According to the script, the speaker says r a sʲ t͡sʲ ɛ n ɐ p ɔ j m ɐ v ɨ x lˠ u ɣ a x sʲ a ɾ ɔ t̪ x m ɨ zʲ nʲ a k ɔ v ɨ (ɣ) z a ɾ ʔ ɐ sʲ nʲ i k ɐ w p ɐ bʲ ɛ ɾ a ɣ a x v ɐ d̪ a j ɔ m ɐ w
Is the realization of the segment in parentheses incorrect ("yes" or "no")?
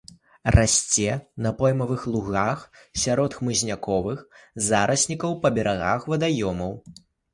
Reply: yes